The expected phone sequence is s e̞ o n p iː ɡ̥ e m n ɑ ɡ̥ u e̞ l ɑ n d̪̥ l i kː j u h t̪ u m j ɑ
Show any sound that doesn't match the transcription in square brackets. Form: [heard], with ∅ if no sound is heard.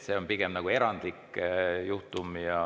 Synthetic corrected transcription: s e̞ o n p [i] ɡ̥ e m n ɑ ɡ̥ u e̞ [ɾ] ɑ n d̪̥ l i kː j u h t̪ u m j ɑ